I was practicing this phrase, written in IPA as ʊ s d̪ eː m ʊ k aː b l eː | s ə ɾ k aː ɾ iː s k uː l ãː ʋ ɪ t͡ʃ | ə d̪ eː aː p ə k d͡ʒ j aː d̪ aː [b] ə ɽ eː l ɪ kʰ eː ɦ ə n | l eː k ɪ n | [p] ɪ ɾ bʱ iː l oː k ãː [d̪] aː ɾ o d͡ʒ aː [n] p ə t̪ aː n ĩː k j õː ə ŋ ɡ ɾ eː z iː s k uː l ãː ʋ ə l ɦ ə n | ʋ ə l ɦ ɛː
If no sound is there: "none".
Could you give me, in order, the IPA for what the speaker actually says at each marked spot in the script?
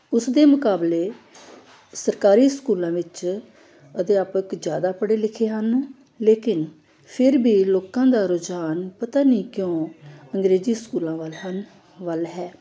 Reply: p, pʰ, d̪, n

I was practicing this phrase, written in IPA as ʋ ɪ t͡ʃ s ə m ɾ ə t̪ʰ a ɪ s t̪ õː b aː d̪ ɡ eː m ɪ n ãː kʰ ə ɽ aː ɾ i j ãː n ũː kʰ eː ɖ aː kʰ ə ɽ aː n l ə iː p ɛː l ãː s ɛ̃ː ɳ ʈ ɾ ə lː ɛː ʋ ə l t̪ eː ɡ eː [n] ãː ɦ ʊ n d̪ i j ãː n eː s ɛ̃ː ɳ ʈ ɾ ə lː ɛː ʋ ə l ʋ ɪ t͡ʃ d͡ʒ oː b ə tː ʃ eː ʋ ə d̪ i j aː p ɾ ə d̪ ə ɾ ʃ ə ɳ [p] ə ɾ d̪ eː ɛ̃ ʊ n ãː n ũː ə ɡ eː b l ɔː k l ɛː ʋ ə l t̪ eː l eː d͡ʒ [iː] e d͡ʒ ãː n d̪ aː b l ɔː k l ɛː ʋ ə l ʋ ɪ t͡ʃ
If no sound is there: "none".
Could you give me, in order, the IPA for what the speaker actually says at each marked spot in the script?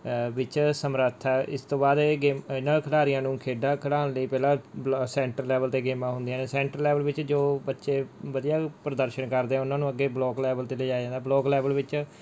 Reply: m, k, aː

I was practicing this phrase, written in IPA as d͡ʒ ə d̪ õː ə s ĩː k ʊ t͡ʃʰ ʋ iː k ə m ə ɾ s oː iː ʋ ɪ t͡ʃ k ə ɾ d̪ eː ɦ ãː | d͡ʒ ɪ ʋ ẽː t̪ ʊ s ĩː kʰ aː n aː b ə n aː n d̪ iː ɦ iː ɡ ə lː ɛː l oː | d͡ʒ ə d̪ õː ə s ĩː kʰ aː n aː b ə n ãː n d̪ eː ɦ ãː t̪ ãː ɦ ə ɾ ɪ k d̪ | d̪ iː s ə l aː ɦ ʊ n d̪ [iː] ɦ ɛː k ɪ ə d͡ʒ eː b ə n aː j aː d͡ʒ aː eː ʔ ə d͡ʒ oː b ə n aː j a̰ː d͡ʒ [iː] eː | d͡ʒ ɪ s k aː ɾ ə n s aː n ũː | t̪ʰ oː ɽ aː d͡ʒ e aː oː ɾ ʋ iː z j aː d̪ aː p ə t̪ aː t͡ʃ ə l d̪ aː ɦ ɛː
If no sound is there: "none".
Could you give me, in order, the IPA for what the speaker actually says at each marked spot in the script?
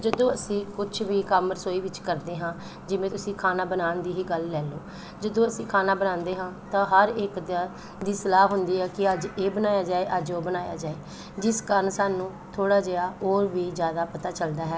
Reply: iː, aː

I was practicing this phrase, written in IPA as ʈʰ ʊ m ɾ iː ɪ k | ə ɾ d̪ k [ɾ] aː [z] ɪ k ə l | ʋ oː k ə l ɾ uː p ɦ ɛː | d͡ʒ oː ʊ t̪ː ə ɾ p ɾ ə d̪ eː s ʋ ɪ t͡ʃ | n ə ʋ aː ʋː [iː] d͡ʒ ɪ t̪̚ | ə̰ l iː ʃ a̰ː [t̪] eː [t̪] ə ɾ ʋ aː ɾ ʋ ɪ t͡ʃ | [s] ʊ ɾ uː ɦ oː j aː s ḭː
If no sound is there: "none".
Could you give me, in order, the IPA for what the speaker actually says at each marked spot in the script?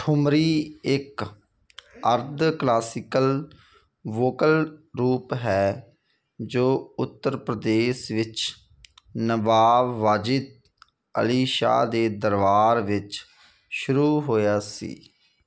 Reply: l, s, aː, d̪, d̪, ʃ

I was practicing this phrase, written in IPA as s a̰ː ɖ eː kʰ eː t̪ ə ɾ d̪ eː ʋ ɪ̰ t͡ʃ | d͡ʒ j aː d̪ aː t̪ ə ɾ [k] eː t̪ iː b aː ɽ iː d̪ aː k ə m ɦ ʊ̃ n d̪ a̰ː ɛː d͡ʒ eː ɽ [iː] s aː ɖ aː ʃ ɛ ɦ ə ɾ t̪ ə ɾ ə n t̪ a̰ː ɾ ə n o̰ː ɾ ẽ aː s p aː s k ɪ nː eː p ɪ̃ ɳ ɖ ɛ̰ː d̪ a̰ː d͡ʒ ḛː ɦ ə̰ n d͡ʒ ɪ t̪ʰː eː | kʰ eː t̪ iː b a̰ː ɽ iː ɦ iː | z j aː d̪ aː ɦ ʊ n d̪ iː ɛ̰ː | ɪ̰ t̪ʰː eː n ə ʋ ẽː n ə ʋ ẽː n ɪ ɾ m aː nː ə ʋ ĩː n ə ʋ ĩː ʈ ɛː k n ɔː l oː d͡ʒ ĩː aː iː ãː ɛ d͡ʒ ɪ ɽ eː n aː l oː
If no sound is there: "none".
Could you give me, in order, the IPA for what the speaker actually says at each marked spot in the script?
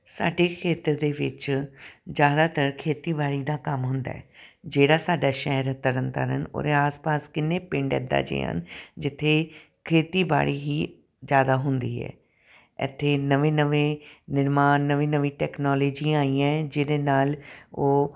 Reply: kʰ, aː

